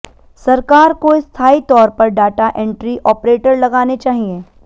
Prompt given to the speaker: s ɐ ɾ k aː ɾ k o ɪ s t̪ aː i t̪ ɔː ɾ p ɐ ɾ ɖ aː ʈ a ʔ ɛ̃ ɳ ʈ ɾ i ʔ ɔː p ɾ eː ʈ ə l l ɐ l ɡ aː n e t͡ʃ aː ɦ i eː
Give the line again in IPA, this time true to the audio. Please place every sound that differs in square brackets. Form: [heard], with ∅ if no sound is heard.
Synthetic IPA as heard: s ɐ ɾ k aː ɾ k o ɪ s [t̪ʰ] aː i t̪ ɔː ɾ p ɐ ɾ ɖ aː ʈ a ʔ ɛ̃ ɳ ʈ ɾ i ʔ ɔː p ɾ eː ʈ ə [ɾ] l ɐ [∅] ɡ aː n e t͡ʃ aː ɦ i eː